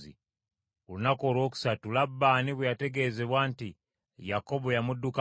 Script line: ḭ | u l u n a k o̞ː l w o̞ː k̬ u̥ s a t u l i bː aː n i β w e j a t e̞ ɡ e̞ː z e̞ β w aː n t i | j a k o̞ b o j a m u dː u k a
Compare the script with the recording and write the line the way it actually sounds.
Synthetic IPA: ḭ | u l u n a k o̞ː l w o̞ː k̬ u̥ s a t u l a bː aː n i β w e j a t e̞ ɡ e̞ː z e̞ β w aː n t i | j a k o̞ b o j a m u dː u k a